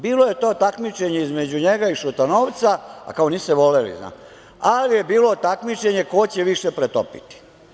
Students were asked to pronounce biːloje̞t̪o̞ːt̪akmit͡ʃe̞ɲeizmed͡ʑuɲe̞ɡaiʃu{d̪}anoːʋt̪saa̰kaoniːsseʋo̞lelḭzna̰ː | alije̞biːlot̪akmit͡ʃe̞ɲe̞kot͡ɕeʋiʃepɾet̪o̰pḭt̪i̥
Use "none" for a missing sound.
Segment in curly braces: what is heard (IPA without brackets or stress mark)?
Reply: t̪